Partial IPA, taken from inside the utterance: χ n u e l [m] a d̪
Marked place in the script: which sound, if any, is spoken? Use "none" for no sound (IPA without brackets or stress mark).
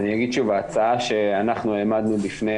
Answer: m